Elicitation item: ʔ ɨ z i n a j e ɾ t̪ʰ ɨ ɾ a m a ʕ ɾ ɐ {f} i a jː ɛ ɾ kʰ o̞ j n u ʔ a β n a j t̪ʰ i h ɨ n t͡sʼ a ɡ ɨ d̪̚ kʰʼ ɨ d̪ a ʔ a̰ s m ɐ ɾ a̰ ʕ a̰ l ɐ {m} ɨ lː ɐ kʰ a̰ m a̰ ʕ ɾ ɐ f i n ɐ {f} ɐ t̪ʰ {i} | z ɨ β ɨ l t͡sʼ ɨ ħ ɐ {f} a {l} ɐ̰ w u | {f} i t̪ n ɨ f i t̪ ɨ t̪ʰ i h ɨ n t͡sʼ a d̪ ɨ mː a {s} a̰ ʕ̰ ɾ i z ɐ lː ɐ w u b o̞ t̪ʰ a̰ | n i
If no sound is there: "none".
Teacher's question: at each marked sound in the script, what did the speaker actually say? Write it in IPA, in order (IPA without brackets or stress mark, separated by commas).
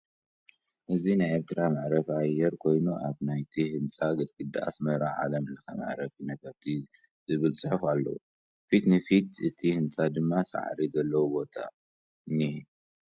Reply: f, m, f, i, f, lː, f, s